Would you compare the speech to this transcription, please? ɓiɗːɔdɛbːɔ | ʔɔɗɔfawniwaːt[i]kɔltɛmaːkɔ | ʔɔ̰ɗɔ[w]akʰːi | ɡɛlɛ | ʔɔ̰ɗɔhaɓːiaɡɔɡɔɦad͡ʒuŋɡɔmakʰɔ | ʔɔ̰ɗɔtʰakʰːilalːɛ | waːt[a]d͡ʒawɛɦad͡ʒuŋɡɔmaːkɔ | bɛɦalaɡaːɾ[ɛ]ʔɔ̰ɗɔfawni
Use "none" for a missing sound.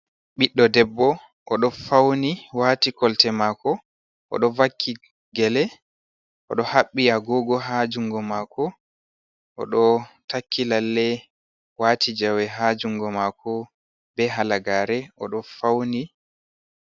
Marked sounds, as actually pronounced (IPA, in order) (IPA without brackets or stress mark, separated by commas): i, v, i, ɛ